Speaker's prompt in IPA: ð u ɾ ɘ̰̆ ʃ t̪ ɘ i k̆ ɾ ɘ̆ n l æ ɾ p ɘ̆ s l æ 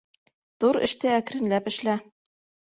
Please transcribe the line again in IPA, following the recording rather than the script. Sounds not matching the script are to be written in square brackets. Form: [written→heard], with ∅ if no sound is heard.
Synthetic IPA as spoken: ð u ɾ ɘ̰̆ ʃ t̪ ɘ [i→æ] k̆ ɾ ɘ̆ n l æ [ɾ→∅] p ɘ̆ [s→ʃ] l æ